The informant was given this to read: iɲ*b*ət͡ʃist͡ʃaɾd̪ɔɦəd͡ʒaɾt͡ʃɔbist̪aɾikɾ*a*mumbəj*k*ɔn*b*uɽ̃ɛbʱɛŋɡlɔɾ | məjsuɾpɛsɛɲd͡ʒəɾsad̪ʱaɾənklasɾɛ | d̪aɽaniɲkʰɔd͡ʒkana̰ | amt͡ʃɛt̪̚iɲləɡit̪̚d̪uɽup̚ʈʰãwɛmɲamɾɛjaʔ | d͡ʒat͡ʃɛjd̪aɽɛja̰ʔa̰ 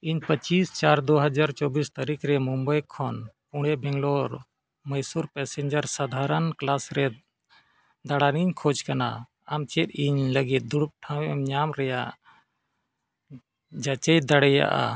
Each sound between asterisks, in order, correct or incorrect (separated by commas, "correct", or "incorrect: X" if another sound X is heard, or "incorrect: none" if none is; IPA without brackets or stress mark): incorrect: p, incorrect: ɛ, incorrect: kʰ, incorrect: p